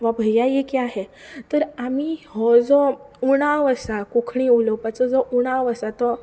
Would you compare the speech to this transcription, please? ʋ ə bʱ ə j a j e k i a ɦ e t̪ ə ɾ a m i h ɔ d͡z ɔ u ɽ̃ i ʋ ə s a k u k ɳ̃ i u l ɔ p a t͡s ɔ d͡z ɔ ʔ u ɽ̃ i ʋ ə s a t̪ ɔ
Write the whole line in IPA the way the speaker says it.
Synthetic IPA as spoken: ʋ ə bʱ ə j a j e k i a ɦ e t̪ ə ɾ a m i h ɔ d͡z ɔ u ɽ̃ a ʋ ə s a k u kʰ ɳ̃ i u l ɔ p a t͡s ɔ d͡z ɔ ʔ u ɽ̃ a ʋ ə s a t̪ ɔ